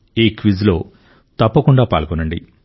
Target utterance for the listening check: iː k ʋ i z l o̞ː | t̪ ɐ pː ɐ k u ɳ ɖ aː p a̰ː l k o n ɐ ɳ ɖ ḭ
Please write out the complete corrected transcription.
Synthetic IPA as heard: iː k ʋ i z l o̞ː | t̪ ɐ pː ɐ k u ɳ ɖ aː p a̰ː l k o n ɐ ɳ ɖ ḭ